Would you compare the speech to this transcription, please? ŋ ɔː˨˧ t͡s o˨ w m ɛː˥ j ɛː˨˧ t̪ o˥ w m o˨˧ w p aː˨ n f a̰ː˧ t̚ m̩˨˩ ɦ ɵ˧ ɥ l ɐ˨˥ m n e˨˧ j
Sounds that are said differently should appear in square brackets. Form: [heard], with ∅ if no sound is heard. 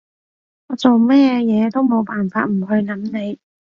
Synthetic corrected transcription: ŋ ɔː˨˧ t͡s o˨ w m ɛː˥ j ɛː˨˧ t̪ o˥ w m o˨˧ w p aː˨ n f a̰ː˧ t̚ m̩˨˩ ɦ ɵ˧ ɥ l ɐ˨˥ m n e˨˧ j